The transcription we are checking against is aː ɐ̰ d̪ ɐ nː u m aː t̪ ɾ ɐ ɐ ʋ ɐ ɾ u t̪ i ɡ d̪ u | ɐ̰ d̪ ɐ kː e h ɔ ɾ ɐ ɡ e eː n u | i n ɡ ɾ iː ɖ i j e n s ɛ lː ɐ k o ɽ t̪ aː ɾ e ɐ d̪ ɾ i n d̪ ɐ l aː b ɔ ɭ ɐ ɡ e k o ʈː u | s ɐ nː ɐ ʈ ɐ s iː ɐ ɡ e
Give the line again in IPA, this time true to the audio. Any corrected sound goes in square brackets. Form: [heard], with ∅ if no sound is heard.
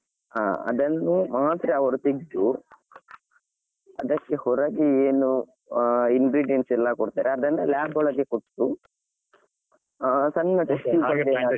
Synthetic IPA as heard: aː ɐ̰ d̪ ɐ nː u m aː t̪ ɾ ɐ ɐ ʋ ɐ ɾ u t̪ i ɡ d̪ u | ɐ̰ d̪ ɐ kː e h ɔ ɾ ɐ ɡ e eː n u | i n ɡ ɾ iː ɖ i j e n s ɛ lː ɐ k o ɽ t̪ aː ɾ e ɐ d̪ ɾ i n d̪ ɐ l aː b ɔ ɭ ɐ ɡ e k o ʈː u | s ɐ nː ɐ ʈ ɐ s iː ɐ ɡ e